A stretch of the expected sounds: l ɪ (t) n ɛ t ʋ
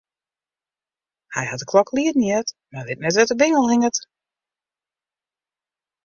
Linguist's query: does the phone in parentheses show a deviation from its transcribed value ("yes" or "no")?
no